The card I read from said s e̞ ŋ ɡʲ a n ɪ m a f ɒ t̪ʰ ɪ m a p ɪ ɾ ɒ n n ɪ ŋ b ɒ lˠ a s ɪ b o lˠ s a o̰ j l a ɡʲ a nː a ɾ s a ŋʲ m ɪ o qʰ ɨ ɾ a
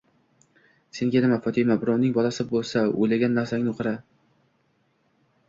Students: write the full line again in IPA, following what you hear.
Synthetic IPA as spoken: s e̞ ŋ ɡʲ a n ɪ m a f ɒ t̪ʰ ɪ m a b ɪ ɾ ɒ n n ɪ ŋ b ɒ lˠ a s ɪ b o lˠ s a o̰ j l a ɡʲ a nː a ɾ s a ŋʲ n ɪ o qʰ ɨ ɾ a